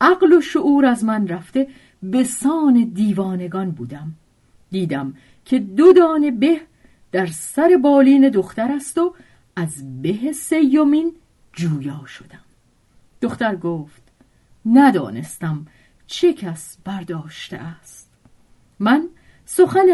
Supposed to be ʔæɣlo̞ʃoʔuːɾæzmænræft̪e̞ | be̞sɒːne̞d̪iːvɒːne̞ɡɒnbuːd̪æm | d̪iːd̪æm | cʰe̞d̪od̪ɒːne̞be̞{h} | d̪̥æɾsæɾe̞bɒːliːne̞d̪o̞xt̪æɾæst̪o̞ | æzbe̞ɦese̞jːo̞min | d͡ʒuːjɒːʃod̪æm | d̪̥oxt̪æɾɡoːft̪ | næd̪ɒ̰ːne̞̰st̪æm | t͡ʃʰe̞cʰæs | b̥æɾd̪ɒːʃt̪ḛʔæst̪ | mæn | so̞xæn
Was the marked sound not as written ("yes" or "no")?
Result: no